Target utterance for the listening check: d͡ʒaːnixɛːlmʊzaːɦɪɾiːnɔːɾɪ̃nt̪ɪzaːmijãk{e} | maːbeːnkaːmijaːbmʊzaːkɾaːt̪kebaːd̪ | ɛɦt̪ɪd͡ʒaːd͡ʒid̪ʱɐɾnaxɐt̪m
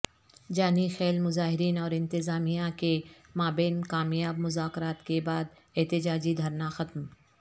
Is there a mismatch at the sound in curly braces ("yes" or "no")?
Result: no